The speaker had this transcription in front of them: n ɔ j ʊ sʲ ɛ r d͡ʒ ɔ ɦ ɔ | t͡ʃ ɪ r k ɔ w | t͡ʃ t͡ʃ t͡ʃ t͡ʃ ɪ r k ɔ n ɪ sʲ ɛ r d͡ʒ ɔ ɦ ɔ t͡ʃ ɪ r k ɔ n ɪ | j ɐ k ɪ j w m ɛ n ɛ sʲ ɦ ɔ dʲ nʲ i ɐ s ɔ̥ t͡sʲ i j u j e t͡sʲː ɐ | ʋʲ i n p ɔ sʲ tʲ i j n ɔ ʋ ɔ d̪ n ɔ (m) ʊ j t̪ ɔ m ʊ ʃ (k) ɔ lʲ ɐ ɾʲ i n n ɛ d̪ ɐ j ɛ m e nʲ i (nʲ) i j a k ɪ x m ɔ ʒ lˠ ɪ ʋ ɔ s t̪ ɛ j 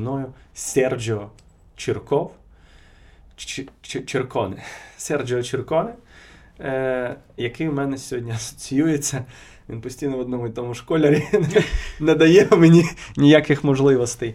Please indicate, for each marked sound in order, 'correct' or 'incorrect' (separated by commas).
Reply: correct, correct, correct